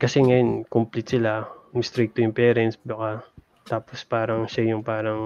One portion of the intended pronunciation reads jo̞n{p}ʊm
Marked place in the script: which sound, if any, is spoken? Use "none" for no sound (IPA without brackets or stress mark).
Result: k